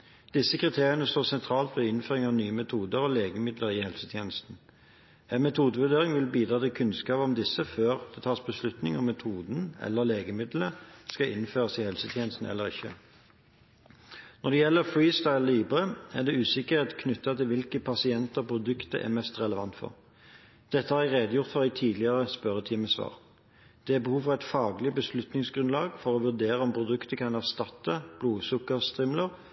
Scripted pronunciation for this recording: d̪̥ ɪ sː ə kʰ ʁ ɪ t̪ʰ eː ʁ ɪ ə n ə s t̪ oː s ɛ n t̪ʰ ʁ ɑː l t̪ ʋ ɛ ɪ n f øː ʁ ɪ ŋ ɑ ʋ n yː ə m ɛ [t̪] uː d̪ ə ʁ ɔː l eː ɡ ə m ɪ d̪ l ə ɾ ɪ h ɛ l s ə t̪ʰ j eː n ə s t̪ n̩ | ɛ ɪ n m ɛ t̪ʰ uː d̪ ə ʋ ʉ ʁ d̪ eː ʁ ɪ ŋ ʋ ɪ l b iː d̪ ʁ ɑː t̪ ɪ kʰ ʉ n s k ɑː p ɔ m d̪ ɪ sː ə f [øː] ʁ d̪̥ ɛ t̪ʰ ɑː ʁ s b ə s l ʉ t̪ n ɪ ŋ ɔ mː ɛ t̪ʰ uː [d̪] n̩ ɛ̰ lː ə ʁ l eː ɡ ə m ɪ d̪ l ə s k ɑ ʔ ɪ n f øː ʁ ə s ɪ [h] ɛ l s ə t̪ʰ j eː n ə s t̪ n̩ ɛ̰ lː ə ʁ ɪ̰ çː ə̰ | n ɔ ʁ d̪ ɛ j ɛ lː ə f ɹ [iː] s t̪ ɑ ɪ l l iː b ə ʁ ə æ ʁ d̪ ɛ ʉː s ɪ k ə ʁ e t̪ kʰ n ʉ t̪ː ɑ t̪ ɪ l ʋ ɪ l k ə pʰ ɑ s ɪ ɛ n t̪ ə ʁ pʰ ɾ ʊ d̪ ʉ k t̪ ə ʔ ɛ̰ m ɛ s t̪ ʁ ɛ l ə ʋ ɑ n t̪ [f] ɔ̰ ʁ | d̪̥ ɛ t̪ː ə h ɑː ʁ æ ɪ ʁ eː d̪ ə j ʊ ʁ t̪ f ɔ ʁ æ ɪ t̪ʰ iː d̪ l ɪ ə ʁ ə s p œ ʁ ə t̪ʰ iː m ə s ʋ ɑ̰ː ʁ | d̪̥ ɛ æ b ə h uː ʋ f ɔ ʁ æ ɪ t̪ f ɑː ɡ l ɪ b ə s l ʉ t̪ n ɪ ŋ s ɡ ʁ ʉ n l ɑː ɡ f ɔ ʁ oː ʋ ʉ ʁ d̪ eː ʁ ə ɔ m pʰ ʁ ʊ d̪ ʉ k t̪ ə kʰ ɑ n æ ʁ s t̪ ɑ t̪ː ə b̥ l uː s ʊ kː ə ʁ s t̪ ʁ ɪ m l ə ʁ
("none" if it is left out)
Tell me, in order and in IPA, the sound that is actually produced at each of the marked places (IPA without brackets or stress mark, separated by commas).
t̪ʰ, øː, d̪, h, iː, f